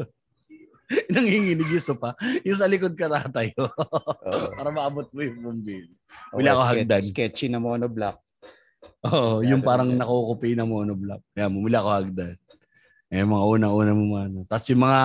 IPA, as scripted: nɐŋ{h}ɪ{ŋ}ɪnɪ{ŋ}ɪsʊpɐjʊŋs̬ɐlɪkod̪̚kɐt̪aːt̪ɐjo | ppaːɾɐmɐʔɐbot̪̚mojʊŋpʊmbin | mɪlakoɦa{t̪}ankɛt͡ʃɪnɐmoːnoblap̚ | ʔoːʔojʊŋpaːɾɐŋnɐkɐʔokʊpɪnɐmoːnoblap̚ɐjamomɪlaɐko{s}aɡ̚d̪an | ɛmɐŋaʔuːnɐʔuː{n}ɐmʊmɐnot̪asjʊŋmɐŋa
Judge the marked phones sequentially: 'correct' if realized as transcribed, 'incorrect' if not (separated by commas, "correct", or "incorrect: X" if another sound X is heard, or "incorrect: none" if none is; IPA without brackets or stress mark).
correct, correct, incorrect: ɡ, incorrect: d̪, incorrect: h, correct